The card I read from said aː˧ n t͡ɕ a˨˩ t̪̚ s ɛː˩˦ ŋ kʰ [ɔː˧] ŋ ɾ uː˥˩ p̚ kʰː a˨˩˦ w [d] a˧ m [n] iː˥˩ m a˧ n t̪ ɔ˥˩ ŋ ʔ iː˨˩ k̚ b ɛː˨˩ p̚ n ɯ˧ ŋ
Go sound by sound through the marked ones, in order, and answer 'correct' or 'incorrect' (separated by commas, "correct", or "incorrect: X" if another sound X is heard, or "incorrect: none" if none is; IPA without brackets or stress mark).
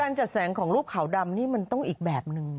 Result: incorrect: ɔː˩˦, correct, correct